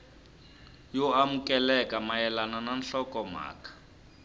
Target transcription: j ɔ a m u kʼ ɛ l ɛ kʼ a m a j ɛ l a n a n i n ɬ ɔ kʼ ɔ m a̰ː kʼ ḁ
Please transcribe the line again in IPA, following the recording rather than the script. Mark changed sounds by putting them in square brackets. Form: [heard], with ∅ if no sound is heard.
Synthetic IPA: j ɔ a m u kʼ ɛ l ɛ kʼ a m a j ɛ l a n a n [a] n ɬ ɔ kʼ ɔ m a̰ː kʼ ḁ